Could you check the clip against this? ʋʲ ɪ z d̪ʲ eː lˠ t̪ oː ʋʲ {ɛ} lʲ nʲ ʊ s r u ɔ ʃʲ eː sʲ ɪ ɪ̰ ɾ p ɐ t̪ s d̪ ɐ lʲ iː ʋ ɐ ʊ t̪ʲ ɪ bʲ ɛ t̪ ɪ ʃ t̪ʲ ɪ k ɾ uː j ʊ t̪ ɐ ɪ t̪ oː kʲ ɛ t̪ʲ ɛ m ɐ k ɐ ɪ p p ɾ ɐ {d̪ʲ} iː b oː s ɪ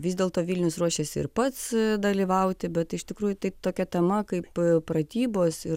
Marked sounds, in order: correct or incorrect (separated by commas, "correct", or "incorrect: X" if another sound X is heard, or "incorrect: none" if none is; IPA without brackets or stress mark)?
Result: incorrect: i, incorrect: t̪ʲ